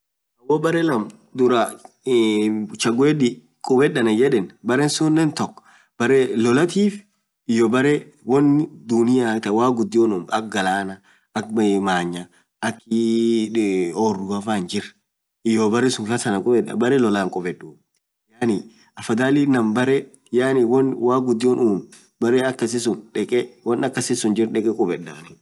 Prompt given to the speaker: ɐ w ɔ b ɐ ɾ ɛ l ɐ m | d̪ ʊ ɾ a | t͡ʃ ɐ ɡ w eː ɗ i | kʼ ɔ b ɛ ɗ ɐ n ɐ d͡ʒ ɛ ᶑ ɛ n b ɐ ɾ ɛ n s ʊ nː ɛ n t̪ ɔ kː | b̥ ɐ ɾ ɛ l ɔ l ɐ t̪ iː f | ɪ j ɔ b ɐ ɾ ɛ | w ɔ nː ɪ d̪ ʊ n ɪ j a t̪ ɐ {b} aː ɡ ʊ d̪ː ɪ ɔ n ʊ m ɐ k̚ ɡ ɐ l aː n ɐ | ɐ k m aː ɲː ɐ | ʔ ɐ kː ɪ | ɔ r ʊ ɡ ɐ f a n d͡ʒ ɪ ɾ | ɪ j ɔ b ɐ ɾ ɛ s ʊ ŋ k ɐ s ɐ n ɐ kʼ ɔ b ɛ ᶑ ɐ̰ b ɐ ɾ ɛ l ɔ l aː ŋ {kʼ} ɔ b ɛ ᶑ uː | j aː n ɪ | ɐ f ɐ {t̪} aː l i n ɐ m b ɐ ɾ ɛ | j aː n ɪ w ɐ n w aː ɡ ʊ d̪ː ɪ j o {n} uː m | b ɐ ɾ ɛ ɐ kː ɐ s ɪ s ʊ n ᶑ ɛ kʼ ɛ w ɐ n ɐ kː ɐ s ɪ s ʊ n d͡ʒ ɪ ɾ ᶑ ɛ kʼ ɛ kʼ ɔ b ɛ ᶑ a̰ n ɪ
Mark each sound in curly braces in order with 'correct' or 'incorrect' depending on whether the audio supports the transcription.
incorrect, correct, incorrect, correct

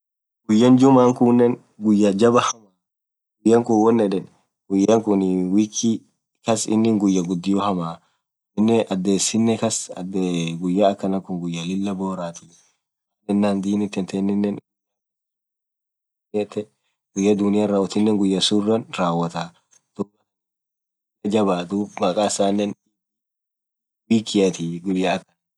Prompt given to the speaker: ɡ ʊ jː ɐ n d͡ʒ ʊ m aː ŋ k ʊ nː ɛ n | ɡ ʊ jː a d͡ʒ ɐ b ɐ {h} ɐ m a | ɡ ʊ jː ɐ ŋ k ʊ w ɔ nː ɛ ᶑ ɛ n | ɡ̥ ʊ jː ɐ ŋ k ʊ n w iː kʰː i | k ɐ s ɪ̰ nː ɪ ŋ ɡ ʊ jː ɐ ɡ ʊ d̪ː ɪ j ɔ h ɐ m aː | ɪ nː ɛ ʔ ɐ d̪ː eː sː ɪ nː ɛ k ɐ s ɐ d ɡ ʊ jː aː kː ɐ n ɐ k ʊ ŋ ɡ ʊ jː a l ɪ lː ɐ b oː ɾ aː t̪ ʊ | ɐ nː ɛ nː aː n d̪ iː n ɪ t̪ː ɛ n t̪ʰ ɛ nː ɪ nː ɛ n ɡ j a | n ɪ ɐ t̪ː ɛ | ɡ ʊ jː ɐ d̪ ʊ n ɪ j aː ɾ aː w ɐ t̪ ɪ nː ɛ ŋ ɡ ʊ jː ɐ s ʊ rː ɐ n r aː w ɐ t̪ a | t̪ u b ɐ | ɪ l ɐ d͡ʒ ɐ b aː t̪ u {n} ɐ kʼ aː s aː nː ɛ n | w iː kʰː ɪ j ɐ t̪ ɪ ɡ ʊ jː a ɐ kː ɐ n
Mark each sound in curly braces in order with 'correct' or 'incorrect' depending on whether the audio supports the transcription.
correct, incorrect

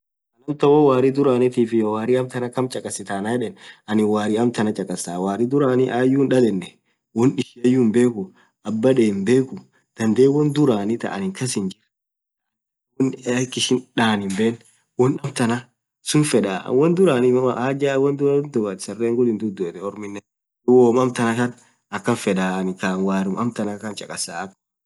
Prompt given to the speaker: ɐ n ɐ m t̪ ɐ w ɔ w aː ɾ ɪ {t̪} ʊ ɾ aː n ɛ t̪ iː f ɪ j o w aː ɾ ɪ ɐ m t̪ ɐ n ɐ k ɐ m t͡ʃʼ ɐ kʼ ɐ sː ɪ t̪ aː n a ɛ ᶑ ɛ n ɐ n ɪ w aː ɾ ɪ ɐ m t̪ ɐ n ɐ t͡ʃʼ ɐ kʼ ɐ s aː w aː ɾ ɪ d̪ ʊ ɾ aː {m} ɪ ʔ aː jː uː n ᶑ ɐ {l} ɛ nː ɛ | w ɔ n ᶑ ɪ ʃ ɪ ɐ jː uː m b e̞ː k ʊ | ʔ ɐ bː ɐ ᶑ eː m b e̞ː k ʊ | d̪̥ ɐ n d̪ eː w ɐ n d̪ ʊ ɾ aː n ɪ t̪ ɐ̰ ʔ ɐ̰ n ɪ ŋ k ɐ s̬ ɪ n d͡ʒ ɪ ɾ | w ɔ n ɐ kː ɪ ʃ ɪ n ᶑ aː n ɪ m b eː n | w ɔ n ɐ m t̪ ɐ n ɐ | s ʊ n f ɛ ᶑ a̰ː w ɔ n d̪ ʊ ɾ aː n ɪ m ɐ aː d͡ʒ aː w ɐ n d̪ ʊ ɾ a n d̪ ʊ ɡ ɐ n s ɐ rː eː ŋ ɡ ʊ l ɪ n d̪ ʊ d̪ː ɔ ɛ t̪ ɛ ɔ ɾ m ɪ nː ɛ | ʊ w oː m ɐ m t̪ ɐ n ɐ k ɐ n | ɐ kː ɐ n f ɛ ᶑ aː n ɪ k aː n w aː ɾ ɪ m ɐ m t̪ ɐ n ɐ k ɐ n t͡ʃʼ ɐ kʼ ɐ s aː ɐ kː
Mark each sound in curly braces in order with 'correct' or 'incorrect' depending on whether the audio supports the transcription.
incorrect, incorrect, correct

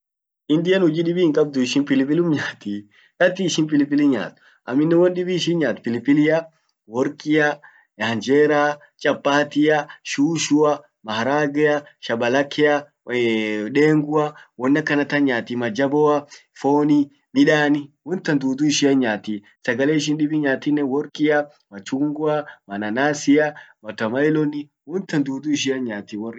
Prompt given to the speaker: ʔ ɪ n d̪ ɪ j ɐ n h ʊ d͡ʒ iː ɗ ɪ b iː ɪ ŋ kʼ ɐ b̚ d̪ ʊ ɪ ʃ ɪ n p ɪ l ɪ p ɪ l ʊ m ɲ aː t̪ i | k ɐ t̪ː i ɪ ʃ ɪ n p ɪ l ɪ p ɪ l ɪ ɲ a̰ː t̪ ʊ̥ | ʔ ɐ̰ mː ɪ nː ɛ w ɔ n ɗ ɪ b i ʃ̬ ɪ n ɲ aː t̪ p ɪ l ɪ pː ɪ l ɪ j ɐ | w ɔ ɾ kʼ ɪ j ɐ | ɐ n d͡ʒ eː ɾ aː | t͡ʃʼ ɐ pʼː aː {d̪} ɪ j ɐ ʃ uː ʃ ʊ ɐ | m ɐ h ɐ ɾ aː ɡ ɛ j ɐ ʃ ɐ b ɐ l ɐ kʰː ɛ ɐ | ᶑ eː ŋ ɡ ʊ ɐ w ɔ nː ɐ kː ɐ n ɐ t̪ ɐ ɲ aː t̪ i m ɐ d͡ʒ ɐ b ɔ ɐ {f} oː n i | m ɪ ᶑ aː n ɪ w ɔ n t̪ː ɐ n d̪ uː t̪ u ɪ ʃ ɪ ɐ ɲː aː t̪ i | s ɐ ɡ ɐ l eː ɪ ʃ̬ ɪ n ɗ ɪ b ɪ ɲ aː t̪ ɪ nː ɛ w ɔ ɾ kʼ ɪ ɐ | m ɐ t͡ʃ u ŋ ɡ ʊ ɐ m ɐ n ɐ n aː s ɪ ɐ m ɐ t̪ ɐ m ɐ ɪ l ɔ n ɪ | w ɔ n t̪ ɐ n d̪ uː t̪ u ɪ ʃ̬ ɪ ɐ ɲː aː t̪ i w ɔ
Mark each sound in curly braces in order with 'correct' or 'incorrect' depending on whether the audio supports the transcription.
incorrect, correct

